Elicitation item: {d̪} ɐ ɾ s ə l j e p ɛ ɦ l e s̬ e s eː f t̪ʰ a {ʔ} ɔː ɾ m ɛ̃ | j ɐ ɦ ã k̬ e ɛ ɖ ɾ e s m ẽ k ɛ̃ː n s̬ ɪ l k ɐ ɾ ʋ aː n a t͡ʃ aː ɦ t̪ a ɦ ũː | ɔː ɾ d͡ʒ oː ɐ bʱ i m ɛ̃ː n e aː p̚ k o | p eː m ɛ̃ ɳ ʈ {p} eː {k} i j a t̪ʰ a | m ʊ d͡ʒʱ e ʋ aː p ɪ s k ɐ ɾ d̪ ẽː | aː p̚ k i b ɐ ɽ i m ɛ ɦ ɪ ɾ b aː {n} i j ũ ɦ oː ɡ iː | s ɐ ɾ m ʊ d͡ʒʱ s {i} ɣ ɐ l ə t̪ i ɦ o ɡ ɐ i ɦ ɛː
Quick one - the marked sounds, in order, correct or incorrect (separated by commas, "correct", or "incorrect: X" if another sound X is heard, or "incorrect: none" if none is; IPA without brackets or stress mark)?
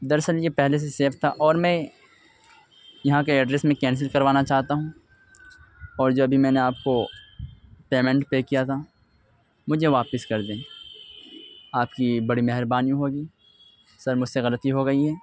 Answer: correct, correct, correct, correct, correct, incorrect: e